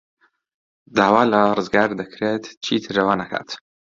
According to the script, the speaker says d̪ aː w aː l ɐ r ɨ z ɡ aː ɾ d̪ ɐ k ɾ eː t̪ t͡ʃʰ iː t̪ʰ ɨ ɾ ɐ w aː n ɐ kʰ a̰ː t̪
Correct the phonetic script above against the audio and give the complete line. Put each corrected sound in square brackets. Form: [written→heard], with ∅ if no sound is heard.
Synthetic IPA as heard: d̪ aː w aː l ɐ r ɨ z ɡ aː ɾ d̪ ɐ k ɾ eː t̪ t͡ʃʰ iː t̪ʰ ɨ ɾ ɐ w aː n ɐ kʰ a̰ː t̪